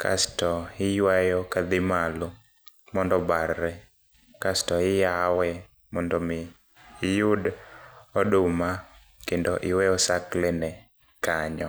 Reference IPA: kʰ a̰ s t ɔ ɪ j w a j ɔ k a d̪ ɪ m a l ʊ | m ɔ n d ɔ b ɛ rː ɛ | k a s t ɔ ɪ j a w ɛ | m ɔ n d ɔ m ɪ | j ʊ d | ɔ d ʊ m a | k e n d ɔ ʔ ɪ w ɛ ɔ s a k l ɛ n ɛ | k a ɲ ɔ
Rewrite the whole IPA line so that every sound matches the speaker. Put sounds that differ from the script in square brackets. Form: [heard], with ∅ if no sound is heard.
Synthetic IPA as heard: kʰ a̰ s t ɔ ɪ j w a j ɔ k a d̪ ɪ m a l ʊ | m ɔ n d ɔ b [a] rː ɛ | k a s t ɔ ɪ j a w ɛ | m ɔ n d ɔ m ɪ | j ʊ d | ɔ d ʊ m a | k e n d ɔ ʔ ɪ w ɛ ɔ s a k l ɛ n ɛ | k a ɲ ɔ